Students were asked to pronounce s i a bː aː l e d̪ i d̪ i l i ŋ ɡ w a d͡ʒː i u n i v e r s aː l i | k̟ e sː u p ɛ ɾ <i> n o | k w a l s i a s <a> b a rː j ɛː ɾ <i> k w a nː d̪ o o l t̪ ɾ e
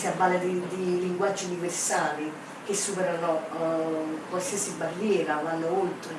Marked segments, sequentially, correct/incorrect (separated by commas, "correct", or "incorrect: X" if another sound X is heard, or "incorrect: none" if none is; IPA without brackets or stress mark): incorrect: a, incorrect: i, incorrect: a